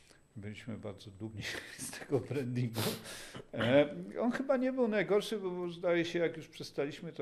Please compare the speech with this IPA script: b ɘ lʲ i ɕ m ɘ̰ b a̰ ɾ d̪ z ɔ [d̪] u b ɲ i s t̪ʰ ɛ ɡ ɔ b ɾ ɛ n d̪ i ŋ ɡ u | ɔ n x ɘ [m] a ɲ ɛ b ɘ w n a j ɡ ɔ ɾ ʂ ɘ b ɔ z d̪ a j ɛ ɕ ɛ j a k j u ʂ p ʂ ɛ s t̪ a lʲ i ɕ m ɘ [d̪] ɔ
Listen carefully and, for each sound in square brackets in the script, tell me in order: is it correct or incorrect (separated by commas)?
correct, incorrect, incorrect